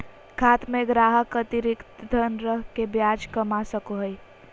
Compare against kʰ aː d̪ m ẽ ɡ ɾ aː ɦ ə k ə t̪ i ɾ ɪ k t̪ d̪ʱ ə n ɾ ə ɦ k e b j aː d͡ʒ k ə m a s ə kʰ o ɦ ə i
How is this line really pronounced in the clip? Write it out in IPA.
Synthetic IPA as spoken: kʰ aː t̪ m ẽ ɡ ɾ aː ɦ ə k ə t̪ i ɾ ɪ k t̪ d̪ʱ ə n ɾ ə ɦ k e b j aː d͡ʒ k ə m a s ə k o ɦ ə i